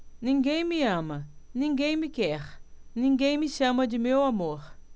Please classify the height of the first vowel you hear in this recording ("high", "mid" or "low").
high